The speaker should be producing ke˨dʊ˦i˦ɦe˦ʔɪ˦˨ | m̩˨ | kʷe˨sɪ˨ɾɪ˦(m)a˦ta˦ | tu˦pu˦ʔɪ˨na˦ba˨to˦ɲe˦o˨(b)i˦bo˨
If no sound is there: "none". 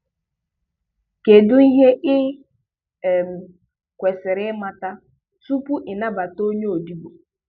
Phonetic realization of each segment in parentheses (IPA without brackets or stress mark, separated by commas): m, d